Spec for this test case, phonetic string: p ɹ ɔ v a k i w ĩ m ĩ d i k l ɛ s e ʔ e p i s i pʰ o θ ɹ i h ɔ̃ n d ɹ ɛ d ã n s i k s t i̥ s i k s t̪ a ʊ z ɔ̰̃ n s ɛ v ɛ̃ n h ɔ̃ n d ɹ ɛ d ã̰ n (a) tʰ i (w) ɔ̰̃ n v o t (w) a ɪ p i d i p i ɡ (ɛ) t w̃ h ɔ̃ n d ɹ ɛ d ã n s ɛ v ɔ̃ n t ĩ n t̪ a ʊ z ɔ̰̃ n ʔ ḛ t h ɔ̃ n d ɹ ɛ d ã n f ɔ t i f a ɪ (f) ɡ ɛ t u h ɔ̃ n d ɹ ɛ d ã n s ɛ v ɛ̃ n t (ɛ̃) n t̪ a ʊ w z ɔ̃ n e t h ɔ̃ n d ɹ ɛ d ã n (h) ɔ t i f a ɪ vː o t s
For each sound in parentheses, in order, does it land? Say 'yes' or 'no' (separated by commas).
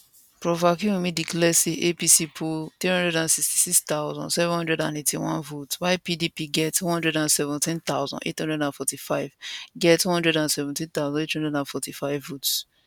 no, yes, yes, yes, no, no, no